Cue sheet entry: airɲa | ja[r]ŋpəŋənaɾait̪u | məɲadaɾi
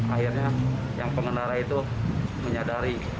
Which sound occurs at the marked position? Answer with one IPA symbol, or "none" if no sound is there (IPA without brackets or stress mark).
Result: none